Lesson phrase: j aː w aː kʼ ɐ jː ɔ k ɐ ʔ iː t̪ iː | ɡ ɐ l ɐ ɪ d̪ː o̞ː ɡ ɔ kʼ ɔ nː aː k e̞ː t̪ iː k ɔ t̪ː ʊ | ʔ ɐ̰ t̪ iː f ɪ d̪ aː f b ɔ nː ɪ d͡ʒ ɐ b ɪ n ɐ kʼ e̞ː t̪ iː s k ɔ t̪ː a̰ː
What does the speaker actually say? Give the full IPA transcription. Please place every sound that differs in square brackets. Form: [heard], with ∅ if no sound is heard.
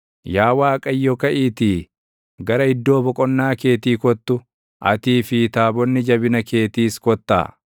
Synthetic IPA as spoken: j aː w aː kʼ ɐ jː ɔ k ɐ ʔ iː t̪ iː | ɡ ɐ [ɾ] ɐ ɪ d̪ː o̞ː [b] ɔ kʼ ɔ nː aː k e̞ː t̪ iː k ɔ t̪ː ʊ | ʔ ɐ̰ t̪ iː f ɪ [t̪] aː [∅] b ɔ nː ɪ d͡ʒ ɐ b ɪ n ɐ [k] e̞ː t̪ iː s k ɔ t̪ː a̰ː